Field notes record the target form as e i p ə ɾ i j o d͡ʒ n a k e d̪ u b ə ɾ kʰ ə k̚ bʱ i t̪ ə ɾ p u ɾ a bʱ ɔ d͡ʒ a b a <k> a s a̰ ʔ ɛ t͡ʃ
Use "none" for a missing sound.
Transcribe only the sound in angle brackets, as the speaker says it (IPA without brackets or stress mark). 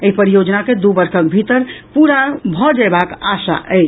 k